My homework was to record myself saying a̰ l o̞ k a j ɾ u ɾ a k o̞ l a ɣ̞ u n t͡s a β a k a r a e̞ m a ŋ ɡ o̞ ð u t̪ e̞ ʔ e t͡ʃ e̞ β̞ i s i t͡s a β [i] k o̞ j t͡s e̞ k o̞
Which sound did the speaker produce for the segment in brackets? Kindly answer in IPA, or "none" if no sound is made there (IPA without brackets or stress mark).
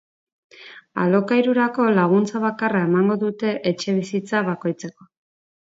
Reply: a